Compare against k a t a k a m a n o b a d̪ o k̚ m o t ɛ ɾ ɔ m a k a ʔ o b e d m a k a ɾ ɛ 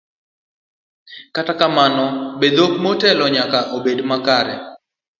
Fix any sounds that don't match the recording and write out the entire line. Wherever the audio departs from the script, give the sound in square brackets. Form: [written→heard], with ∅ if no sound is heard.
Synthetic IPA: k a t a k a m a n [o→ɔ] b [a→e] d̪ o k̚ m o t ɛ [ɾ→l] ɔ [m→ɲ] a k a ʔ o b e d m a k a ɾ ɛ